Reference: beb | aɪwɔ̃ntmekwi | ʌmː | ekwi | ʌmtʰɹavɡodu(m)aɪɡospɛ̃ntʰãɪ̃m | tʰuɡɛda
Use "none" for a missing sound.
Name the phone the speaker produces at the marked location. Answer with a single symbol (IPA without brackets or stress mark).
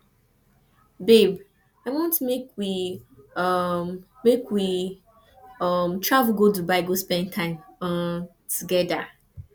b